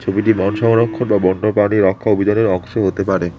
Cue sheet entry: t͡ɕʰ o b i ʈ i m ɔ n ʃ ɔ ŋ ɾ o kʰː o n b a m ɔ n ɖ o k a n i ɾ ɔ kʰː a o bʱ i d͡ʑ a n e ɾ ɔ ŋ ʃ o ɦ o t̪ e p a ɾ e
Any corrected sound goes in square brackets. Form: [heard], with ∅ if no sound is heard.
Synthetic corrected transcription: t͡ɕʰ o b i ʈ i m ɔ n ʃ ɔ ŋ ɾ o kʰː o n b a [b] ɔ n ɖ o [p] a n i ɾ ɔ kʰː a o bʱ i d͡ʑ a n e ɾ ɔ ŋ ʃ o ɦ o t̪ e p a ɾ e